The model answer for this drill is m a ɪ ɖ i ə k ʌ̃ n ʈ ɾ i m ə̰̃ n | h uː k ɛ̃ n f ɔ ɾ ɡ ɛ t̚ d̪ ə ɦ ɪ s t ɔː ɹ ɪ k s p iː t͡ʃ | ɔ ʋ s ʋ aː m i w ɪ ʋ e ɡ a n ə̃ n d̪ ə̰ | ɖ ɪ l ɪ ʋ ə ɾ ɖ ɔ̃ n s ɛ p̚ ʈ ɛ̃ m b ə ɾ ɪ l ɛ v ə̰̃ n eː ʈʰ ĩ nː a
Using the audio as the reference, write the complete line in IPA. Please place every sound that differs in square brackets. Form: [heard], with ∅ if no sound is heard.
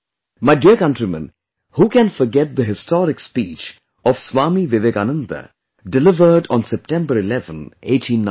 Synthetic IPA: m a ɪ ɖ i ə k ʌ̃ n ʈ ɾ i m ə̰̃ n | h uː k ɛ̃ n f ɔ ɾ ɡ ɛ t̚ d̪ ə ɦ ɪ s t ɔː [ɾ] ɪ k s p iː t͡ʃ | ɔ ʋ s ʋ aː m i [ʋ] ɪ ʋ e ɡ a n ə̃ n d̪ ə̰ | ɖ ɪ l ɪ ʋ ə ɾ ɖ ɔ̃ n s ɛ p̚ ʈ ɛ̃ m b ə ɾ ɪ l ɛ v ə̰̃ n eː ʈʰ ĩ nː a